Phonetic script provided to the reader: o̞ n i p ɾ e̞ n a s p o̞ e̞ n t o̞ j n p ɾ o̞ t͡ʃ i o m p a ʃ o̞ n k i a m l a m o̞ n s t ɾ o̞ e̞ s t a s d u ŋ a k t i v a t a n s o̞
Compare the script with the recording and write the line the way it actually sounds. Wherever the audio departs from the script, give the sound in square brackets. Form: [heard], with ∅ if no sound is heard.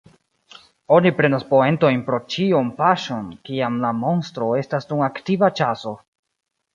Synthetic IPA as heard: o̞ n i p ɾ e̞ n a s p o̞ e̞ n t o̞ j n p ɾ o̞ t͡ʃ i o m p a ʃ o̞ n k i a m l a m o̞ n s t ɾ o̞ e̞ s t a s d u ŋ a k t i v a [t͡ʃ] a [∅] s o̞